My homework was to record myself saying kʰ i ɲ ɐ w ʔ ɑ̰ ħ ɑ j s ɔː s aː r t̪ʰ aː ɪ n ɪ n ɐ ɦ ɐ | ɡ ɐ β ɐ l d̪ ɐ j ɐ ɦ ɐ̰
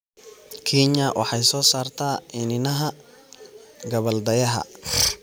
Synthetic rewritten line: kʰ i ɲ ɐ w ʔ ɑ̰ ħ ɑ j s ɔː s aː r t̪ʰ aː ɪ n ɪ n ɐ ɦ ɐ | ɡ ɐ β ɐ l d̪ ɐ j ɐ ɦ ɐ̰